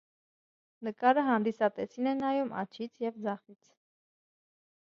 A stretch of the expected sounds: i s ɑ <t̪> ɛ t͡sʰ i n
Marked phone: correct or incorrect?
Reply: correct